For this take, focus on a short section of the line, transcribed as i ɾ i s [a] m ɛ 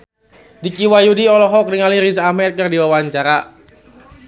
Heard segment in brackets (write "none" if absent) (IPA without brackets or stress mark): a